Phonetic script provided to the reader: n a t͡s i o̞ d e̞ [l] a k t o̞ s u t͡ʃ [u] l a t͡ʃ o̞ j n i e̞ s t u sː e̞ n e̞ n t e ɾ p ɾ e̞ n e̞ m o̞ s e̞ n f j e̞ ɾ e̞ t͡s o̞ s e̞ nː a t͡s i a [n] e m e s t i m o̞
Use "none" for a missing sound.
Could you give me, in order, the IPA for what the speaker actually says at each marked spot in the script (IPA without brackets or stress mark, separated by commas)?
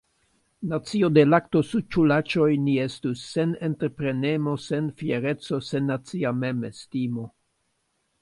l, u, m